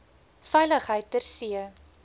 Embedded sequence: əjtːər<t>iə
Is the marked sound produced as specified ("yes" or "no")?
no